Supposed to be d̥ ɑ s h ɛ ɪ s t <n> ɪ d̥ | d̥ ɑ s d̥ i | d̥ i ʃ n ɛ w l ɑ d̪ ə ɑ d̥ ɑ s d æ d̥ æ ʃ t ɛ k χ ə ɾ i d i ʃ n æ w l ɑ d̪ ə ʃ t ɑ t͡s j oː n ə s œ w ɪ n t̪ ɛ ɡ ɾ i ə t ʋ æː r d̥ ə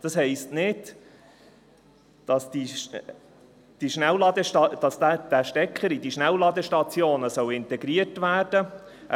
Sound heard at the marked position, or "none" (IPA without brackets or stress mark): n